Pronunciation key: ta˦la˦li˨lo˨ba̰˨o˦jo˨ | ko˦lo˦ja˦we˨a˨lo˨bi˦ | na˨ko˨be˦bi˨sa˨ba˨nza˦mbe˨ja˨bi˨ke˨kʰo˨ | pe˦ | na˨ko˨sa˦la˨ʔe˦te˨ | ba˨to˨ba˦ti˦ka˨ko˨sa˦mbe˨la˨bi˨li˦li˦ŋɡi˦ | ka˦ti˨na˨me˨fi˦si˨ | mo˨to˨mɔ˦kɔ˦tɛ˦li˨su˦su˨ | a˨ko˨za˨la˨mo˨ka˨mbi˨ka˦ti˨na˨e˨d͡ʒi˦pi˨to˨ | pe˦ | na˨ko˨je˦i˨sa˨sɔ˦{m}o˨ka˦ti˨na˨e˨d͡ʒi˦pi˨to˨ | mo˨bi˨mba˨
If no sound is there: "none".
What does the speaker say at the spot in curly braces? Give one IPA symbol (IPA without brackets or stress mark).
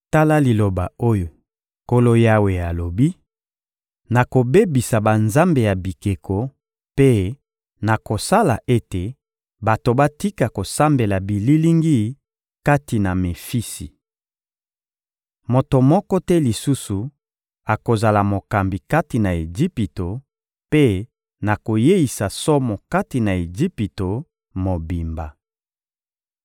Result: m